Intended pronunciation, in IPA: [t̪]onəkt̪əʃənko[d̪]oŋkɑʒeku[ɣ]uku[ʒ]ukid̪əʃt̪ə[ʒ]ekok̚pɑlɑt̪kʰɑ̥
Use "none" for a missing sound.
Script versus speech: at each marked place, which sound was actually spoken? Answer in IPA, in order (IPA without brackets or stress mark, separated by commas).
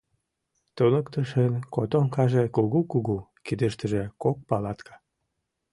t̪, t̪, ɣ, ɣ, ʒ